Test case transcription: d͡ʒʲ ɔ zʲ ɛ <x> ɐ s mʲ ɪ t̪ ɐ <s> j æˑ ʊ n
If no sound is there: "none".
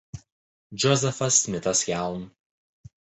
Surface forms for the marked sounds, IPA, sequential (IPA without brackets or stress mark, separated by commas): f, s